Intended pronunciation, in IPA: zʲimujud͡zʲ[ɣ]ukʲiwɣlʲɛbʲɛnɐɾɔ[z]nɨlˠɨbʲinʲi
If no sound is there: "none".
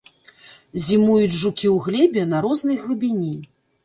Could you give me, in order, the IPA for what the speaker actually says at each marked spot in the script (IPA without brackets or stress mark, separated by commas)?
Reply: ʐ, z